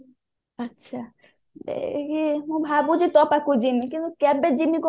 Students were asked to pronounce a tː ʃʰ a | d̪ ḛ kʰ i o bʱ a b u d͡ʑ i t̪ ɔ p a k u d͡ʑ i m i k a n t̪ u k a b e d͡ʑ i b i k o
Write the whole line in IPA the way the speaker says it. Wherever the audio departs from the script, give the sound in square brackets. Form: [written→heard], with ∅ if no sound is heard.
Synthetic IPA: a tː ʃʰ a | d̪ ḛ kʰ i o bʱ a b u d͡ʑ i t̪ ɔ p a k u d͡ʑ i m i k [a→i] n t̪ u k [a→ɛ] b e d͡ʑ i [b→m] i k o